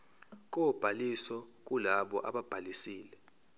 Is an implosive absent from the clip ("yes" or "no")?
no